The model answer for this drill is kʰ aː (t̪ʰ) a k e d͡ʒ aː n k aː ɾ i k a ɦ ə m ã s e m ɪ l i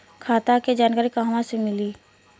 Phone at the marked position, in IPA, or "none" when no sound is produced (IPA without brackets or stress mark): t̪